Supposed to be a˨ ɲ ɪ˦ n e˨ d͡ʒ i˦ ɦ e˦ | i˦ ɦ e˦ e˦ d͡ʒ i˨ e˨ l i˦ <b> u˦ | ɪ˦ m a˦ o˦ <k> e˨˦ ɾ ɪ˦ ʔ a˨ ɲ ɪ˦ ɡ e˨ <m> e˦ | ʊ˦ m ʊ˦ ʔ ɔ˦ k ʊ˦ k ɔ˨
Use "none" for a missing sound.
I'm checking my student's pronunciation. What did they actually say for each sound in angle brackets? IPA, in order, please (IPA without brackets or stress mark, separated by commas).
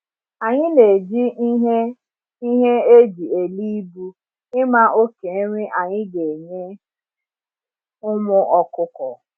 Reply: b, k, ɲ